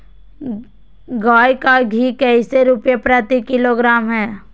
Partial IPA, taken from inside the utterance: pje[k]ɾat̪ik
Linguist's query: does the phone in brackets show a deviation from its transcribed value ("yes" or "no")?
yes